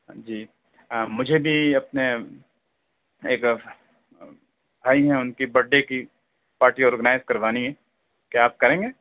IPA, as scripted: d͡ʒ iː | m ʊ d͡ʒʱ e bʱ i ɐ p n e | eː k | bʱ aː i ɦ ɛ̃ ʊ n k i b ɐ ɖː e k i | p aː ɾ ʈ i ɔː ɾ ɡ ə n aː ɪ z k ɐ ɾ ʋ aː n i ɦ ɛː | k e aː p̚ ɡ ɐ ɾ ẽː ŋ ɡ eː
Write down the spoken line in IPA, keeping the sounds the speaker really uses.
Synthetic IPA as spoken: d͡ʒ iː | m ʊ d͡ʒʱ e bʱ i ɐ p n e | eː k | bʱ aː i ɦ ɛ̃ ʊ n k i b ɐ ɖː e k i | p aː ɾ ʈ i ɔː ɾ ɡ ə n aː ɪ z k ɐ ɾ ʋ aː n i ɦ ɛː | k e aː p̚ k ɐ ɾ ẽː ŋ ɡ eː